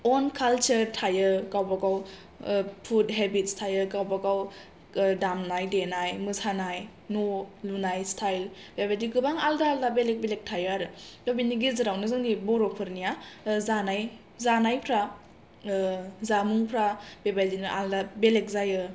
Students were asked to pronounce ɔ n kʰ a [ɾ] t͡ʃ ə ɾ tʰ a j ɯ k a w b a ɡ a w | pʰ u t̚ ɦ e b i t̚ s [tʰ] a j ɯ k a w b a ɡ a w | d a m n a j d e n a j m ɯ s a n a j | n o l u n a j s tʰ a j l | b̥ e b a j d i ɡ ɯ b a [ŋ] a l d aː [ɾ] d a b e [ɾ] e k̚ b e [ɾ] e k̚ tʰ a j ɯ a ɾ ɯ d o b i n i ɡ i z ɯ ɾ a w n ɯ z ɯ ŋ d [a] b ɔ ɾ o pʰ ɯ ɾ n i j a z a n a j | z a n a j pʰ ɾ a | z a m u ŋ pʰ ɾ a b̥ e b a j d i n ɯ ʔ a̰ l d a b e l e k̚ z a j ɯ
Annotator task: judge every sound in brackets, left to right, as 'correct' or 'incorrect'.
incorrect, correct, correct, incorrect, incorrect, incorrect, incorrect

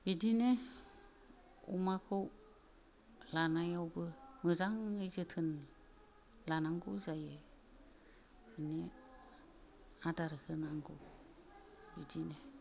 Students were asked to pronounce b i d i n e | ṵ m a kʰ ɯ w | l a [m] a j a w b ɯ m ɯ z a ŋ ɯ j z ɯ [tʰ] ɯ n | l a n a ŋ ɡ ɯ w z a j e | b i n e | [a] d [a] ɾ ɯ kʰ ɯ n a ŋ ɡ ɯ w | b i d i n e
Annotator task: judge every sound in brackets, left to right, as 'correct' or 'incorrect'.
incorrect, correct, correct, correct

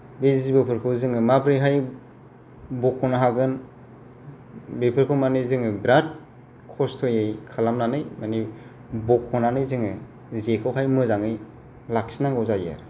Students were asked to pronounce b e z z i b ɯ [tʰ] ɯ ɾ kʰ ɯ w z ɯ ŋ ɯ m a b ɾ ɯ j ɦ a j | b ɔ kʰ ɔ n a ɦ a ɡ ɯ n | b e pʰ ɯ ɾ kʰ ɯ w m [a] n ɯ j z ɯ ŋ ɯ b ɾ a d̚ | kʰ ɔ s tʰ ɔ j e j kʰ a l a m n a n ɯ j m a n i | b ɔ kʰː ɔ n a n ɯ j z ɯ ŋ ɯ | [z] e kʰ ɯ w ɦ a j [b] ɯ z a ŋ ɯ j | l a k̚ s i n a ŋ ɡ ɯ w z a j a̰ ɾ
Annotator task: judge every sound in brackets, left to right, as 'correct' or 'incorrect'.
incorrect, correct, correct, incorrect

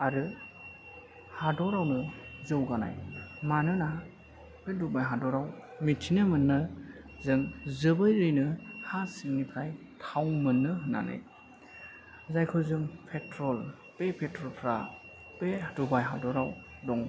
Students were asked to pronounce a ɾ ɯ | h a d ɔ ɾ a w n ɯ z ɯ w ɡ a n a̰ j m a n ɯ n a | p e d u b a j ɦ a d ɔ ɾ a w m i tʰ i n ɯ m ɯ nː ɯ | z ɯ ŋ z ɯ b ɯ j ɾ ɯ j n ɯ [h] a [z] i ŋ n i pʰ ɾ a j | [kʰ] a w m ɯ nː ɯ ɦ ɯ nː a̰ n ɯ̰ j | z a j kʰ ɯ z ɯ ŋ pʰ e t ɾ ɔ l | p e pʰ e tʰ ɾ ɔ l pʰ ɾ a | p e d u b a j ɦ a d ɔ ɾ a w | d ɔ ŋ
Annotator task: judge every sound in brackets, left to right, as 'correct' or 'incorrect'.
correct, incorrect, incorrect

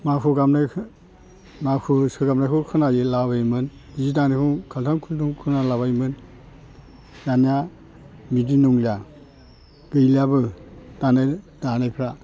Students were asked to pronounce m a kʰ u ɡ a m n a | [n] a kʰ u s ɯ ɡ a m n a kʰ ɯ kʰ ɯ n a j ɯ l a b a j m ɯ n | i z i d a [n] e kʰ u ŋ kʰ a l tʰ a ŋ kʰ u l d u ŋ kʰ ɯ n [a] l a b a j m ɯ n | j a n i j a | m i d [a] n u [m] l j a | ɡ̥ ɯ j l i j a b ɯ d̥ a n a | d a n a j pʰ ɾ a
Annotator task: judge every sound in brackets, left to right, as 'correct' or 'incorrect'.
incorrect, correct, correct, incorrect, incorrect

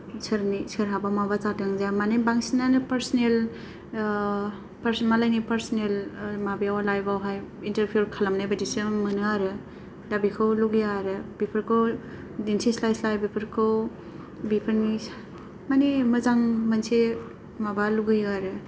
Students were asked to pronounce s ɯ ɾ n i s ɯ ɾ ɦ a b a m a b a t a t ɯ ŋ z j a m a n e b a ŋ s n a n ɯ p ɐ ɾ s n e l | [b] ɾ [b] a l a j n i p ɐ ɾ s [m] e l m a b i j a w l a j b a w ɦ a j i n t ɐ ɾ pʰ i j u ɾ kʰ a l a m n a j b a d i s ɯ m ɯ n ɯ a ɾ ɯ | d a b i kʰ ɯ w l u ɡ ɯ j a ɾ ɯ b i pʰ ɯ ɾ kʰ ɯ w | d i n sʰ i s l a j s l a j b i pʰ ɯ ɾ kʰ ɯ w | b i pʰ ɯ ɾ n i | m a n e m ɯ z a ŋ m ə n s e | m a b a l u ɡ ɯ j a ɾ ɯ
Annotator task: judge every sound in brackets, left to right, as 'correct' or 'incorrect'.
incorrect, incorrect, incorrect

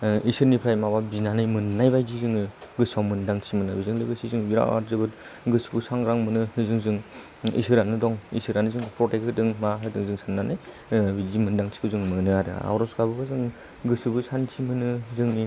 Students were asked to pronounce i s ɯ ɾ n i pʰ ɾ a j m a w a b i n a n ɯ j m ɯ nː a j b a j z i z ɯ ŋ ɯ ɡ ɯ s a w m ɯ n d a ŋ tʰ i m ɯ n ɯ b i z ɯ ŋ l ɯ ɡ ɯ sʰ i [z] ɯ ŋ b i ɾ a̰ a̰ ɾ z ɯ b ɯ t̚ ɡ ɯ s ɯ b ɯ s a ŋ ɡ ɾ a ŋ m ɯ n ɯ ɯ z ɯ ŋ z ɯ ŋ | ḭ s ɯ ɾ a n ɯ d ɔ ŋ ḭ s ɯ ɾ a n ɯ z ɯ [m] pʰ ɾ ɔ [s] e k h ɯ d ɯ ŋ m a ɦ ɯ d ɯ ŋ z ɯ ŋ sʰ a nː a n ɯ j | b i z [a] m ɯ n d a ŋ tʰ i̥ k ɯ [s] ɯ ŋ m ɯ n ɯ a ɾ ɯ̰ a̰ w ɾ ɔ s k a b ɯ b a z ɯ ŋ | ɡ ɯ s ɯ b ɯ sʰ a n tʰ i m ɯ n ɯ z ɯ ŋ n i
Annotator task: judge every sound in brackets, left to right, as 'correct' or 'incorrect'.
correct, incorrect, incorrect, incorrect, incorrect

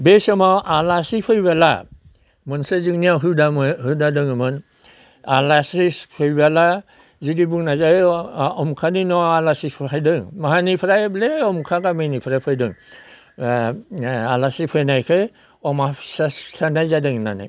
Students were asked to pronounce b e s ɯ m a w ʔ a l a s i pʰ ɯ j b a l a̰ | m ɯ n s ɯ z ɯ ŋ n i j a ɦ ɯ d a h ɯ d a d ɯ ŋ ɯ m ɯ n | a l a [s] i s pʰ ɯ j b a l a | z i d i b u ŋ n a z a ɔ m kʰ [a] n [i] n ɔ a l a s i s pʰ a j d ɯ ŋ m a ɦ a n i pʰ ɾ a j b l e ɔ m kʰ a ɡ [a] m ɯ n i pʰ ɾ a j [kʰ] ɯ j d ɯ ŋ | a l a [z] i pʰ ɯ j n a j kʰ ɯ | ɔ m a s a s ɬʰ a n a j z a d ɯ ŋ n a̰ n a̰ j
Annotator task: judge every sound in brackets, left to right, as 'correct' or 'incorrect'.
correct, correct, correct, correct, incorrect, incorrect

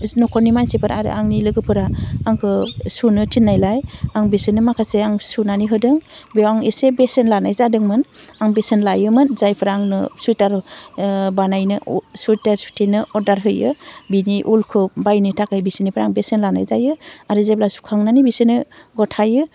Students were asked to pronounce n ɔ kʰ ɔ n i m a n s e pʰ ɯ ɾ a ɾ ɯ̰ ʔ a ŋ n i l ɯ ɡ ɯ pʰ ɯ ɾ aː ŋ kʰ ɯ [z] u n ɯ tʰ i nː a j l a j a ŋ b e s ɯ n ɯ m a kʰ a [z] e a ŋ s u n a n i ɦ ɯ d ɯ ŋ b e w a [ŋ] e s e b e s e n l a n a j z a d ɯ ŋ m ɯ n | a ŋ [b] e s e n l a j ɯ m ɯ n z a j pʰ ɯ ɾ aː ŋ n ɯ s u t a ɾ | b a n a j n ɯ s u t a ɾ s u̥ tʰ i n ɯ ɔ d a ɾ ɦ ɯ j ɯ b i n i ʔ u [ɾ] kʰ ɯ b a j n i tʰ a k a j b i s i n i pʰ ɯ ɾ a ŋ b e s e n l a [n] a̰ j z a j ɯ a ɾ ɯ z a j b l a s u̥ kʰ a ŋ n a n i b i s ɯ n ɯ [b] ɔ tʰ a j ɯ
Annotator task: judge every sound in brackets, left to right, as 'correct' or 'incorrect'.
incorrect, incorrect, correct, correct, incorrect, correct, incorrect

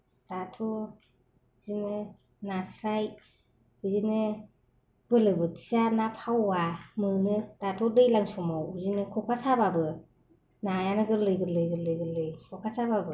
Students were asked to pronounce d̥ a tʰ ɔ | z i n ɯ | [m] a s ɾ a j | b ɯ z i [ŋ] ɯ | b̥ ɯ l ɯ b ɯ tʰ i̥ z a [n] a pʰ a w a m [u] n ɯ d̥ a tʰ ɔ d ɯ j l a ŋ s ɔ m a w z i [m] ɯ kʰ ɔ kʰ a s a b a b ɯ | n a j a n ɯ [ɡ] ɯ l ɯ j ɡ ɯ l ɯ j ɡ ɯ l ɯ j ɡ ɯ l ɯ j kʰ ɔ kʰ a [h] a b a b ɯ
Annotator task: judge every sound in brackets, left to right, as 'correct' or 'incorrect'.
incorrect, incorrect, correct, incorrect, incorrect, correct, incorrect

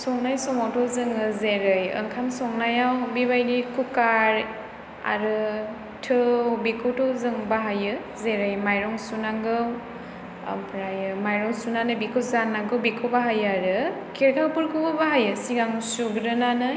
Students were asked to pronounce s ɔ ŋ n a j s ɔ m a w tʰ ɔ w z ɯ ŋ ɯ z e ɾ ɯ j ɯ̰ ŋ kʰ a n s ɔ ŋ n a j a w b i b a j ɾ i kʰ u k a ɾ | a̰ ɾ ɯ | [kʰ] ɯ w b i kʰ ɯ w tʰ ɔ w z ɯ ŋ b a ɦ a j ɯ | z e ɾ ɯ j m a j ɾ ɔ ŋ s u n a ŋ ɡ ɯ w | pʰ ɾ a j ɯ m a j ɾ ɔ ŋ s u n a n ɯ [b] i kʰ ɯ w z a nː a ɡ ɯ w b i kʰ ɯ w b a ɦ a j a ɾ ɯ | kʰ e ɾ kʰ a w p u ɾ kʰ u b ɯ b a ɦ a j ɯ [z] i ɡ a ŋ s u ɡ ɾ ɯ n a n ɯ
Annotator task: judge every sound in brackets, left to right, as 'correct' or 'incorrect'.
incorrect, correct, incorrect

